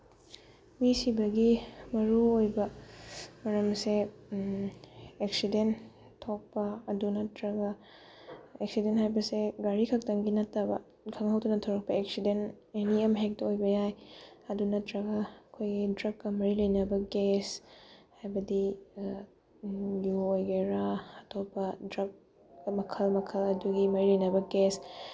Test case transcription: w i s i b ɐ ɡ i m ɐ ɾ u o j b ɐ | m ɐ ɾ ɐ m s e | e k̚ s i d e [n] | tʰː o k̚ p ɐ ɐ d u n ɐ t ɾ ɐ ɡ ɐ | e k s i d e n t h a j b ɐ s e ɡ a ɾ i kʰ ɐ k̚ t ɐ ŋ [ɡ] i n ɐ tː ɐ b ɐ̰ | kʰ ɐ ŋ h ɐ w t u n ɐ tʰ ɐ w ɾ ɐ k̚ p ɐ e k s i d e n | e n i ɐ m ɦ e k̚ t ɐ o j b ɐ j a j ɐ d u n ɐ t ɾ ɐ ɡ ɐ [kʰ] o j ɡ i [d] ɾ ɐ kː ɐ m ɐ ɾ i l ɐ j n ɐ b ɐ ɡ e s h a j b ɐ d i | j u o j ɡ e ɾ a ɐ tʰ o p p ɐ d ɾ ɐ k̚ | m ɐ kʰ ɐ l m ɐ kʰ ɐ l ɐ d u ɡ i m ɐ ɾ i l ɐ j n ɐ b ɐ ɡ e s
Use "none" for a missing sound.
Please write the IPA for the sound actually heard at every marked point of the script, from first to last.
n, ɡ, kʰ, d

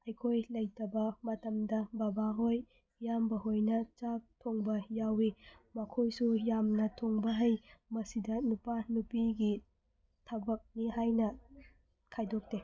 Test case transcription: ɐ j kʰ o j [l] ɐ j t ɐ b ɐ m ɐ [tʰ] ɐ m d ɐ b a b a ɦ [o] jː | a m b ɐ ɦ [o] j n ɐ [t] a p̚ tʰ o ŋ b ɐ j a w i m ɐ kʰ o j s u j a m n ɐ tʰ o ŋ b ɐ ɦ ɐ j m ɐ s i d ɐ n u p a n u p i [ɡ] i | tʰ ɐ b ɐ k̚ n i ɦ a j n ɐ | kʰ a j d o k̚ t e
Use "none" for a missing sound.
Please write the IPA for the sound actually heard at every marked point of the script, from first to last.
l, t, o, o, t͡ʃ, ɡ

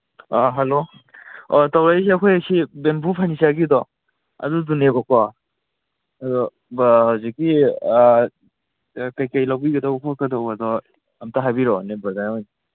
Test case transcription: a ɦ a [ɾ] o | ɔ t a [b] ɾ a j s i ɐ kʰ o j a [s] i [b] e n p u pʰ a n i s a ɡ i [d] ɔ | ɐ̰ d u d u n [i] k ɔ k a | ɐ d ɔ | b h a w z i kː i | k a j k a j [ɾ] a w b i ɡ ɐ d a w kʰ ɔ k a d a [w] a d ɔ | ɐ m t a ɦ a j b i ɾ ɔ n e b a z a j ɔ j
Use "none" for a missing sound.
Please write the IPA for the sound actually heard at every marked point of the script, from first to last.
l, w, s, b, d, e, l, w

